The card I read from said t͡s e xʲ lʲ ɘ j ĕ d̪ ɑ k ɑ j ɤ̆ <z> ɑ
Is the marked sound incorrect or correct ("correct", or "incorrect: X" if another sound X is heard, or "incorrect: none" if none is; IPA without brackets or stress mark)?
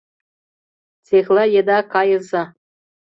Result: correct